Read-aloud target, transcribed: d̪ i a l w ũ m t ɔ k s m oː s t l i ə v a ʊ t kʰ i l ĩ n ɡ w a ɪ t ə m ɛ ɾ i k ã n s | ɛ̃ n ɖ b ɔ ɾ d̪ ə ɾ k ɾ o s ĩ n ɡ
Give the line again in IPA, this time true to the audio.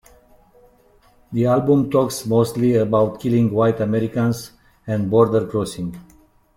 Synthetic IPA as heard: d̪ i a l b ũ m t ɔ k s m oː s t l i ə b a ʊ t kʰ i l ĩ ŋ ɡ w a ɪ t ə m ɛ ɾ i k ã n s | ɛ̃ n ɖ b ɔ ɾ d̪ ə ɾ k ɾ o s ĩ ŋ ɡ

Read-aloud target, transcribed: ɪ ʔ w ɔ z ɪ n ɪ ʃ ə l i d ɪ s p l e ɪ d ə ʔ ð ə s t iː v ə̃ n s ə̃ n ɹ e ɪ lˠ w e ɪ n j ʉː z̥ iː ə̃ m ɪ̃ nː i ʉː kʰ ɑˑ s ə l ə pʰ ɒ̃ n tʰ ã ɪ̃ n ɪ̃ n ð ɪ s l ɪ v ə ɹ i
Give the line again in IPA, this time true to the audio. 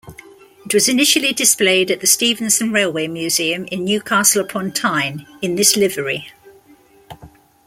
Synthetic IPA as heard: ɪ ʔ w ɒ z ɪ n ɪ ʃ ə l i d ɪ s p l e ɪ d ə ʔ ð ə s t iː v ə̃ n s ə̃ n ɹ e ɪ lˠ w e ɪ m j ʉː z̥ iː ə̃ m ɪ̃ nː j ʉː kʰ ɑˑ s ə l ə pʰ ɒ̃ n tʰ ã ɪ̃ n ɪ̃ n ð ɪ s l ɪ v ə ɹ i

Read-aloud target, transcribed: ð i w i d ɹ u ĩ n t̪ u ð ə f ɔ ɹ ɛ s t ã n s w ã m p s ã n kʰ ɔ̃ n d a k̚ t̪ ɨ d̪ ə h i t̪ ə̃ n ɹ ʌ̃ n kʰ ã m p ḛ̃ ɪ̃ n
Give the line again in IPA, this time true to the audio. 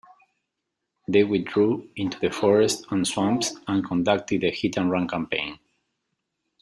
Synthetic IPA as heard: ð e w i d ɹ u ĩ n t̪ u ð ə f ɔ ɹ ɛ s t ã n s w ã m p s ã n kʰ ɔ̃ n d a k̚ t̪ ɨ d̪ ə h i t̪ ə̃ n ɹ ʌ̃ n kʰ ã m p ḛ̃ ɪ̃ n

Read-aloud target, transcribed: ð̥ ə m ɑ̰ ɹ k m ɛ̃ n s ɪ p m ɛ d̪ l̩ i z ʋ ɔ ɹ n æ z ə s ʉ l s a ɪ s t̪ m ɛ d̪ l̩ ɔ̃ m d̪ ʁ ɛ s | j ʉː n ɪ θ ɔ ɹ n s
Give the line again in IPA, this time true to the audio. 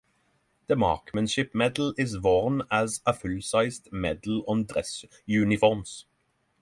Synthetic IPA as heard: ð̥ ə m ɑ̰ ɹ k m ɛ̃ n ʃ ɪ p m ɛ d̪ l̩ ɪ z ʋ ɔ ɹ n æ z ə f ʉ l s a ɪ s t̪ m ɛ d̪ l̩ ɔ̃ n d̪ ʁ ɛ s | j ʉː n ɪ f ɔ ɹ m s

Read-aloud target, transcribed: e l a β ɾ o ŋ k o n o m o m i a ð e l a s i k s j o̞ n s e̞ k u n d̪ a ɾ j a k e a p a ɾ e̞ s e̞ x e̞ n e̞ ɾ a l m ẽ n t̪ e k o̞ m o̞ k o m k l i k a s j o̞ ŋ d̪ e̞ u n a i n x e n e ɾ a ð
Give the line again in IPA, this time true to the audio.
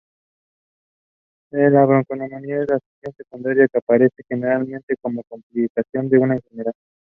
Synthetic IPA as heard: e l a β ɾ o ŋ k o n o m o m i a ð e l a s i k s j o̞ n s e̞ k u n d̪ a ɾ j a k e a p a ɾ e̞ s e̞ x e̞ n e̞ ɾ a l m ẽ n t̪ e k o̞ m o̞ k o m p l i k a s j o̞ n d̪ e̞ u n a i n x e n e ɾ a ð

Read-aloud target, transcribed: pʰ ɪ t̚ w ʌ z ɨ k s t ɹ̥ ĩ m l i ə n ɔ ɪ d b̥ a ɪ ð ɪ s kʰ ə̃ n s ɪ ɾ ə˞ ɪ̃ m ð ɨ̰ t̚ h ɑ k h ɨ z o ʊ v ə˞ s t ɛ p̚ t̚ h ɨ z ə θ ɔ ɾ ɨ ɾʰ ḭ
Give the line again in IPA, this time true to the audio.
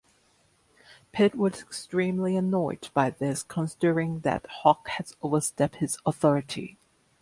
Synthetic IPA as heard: pʰ ɪ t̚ w ʌ z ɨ k s t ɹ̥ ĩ m l i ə n ɔ ɪ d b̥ a ɪ ð ɪ s kʰ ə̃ n s ɪ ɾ ə˞ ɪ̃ ŋ ð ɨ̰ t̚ h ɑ k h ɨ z o ʊ v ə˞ s t ɛ p̚ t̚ h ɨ z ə θ ɔ ɹ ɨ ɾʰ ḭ

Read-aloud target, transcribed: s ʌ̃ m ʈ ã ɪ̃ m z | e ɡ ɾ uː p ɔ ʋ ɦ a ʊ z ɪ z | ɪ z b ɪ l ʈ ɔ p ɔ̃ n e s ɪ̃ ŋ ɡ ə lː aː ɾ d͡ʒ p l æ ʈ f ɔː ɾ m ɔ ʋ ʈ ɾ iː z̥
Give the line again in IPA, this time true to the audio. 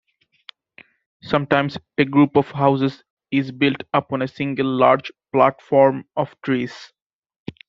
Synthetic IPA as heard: s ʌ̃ m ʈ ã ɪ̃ m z | e ɡ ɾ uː p ɔ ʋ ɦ a ʊ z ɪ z | ɪ z b ɪ l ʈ ʌ p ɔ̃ n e s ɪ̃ ŋ ɡ ə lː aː ɾ d͡ʒ p l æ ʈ f ɔː ɾ m ɔ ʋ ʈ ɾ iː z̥

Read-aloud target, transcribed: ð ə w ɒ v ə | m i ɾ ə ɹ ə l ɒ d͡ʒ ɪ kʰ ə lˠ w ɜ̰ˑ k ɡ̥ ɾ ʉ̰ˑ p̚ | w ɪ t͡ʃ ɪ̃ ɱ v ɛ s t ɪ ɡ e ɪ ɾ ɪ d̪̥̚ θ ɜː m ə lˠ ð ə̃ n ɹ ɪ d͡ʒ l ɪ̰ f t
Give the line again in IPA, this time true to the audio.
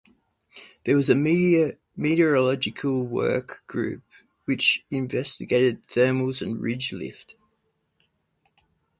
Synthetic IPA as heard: ð ə w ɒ z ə | m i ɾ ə ɹ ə l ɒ d͡ʒ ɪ kʰ ə lˠ w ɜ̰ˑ k ɡ̥ ɹ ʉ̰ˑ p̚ | w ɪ t͡ʃ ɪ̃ ɱ v ɛ s t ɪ ɡ e ɪ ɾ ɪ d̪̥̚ θ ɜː m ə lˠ z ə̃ n ɹ ɪ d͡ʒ l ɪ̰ f t

